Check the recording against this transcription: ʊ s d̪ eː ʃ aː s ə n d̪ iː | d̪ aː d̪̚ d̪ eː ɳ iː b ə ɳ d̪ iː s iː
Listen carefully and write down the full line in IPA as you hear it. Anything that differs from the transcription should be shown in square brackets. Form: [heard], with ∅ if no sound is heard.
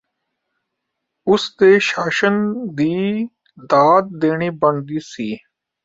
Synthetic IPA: ʊ s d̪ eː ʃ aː [ʃ] ə n d̪ iː | d̪ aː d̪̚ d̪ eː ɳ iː b ə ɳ d̪ iː s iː